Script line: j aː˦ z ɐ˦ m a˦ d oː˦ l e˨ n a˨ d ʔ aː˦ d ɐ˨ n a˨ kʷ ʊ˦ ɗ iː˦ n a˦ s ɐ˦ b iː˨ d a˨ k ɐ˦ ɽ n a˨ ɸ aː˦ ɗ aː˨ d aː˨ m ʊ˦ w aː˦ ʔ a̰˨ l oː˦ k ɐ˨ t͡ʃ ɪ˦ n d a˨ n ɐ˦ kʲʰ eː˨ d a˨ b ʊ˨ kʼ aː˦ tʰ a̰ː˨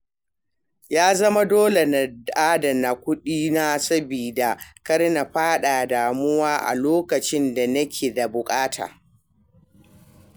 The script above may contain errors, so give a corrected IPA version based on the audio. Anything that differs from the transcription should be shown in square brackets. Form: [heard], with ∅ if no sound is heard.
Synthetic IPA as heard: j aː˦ z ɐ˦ m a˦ d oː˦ l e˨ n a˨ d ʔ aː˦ d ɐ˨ n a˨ kʷ ʊ˦ ɗ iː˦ n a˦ s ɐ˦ b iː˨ d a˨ k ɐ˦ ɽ n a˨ ɸ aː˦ ɗ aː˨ d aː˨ m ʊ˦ w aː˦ ʔ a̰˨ l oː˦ k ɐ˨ t͡ʃ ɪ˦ n d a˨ n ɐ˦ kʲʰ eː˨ d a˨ b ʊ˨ kʼ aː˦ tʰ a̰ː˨

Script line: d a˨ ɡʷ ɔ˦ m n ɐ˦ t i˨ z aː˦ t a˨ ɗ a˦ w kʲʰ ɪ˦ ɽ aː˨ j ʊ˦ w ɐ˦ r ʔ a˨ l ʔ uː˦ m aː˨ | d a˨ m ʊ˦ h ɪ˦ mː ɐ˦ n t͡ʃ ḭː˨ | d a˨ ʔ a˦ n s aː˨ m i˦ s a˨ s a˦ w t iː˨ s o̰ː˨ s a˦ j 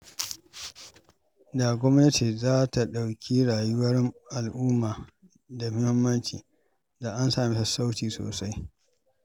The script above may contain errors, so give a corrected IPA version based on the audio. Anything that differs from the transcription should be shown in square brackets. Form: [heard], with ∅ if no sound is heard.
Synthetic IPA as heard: d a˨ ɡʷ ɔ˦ m n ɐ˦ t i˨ z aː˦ t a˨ ɗ [a˨] w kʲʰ [i˦] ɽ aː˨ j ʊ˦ w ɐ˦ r ʔ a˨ l ʔ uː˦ m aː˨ | d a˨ m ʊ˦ h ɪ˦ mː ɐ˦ n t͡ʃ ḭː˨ | d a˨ ʔ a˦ n s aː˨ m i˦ s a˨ s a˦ w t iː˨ s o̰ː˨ s a˦ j

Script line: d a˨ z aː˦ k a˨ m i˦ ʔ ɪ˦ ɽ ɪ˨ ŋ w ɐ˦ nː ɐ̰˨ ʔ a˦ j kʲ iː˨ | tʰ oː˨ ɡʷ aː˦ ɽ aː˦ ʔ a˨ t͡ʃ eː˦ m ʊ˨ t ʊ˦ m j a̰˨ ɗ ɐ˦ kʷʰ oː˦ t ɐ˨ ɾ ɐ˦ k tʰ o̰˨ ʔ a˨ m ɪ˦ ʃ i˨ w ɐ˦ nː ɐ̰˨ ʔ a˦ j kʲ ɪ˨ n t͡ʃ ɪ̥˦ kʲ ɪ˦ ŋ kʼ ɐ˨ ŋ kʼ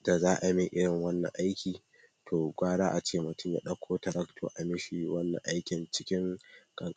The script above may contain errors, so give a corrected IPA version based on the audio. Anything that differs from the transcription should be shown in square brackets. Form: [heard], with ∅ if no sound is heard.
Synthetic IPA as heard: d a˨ z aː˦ [ʔ] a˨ m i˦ ʔ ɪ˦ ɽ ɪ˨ ŋ w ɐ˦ nː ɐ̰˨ ʔ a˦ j kʲ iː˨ | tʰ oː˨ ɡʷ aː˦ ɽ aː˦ ʔ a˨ t͡ʃ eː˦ m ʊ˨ t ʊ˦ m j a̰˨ ɗ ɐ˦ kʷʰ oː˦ t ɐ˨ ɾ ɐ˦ k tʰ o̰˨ ʔ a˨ m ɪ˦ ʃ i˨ w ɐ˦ nː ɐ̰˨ ʔ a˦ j kʲ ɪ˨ n t͡ʃ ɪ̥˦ kʲ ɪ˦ ŋ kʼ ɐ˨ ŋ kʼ

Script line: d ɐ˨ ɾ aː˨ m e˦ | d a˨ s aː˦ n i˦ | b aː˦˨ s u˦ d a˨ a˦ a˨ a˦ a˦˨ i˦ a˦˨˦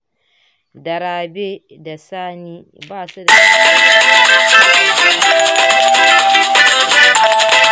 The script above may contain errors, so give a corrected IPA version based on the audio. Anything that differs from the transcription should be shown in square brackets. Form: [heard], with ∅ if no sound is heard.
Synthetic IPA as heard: d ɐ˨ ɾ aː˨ [b] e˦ | d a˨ s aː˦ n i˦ | b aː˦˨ s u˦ d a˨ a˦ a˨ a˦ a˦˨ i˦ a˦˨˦

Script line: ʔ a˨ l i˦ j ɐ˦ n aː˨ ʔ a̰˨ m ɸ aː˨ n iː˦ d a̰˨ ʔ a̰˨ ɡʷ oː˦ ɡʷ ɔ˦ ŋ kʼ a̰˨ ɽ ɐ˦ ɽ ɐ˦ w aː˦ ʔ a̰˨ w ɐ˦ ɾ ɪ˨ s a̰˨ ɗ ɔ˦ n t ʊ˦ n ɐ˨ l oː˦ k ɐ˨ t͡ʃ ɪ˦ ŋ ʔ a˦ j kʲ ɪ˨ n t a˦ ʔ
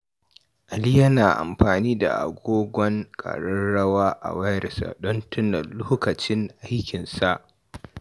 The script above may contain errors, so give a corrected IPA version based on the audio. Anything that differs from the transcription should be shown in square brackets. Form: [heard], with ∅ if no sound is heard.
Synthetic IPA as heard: ʔ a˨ l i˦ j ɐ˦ n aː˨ ʔ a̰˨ m ɸ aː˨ n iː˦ d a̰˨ ʔ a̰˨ ɡʷ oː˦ ɡʷ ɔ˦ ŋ kʼ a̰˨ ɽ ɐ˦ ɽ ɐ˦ w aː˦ ʔ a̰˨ w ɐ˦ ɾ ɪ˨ s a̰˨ ɗ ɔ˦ n t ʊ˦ n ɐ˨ l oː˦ k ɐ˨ t͡ʃ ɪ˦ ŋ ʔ a˦ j kʲ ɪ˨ n [s] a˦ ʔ

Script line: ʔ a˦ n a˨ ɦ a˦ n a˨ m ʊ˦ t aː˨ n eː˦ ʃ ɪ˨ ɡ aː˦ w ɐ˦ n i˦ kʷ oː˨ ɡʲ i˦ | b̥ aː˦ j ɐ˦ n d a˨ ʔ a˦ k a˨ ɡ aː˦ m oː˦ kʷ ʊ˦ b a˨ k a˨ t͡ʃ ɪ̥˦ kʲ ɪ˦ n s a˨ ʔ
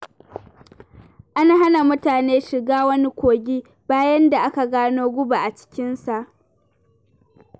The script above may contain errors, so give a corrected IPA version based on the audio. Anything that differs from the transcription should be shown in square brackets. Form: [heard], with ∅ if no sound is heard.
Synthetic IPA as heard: ʔ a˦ n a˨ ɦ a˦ n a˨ m ʊ˦ t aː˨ n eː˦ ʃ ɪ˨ ɡ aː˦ w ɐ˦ n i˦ kʷ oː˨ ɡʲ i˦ | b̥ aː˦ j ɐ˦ n d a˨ ʔ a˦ k a˨ ɡ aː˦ [n] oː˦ [ɡʷ] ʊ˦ b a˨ [ʔ] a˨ t͡ʃ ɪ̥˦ kʲ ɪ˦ n s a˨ ʔ

